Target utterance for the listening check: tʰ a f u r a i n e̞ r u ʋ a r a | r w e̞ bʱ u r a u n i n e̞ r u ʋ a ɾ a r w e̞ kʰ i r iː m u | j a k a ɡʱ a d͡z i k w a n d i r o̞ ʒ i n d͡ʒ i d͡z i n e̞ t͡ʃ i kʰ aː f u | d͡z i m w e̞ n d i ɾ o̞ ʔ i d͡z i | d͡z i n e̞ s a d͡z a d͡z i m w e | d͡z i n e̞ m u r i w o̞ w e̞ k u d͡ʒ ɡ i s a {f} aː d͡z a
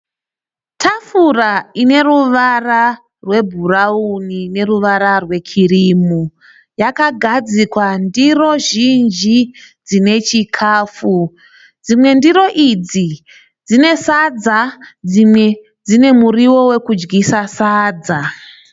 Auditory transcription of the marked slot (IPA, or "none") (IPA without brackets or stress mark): s